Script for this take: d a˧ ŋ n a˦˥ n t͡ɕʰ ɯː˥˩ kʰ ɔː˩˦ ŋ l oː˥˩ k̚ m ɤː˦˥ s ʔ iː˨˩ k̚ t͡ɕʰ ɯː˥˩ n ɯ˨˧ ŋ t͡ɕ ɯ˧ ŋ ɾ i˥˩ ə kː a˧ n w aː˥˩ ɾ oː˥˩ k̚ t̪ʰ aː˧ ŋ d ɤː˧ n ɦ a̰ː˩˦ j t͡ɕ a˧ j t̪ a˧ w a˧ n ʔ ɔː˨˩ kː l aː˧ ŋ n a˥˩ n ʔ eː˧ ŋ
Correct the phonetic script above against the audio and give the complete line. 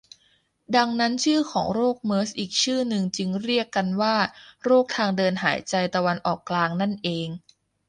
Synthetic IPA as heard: d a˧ ŋ n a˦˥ n t͡ɕʰ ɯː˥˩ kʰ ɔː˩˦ ŋ ɾ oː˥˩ k̚ m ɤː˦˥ s ʔ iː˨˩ k̚ t͡ɕʰ ɯː˥˩ n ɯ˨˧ ŋ t͡ɕ ɯ˧ ŋ ɾ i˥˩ ə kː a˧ n w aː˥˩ ɾ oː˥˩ k̚ t̪ʰ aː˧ ŋ d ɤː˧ n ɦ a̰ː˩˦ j t͡ɕ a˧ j t̪ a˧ w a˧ n ʔ ɔː˨˩ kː l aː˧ ŋ n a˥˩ n ʔ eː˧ ŋ